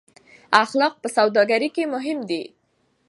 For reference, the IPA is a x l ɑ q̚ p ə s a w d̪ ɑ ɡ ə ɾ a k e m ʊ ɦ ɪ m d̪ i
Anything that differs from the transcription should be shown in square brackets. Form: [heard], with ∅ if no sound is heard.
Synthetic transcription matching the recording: a x l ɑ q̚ p ə s a w d̪ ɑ ɡ [a] ɾ [i] k e m ʊ ɦ ɪ m d̪ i